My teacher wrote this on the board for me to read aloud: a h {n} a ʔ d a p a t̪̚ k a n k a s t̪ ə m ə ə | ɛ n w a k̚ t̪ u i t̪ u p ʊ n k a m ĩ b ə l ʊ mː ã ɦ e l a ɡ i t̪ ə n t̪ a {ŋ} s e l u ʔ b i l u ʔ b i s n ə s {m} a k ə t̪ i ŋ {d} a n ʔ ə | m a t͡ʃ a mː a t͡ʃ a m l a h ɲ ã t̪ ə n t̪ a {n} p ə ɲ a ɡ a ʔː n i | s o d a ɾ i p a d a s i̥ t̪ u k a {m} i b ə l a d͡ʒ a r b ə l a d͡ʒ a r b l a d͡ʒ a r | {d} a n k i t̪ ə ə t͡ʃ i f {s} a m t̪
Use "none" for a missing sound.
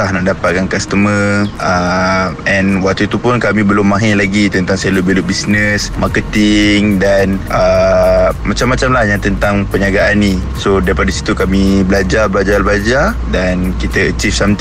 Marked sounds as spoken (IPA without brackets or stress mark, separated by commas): n, ŋ, m, d, ŋ, m, d, s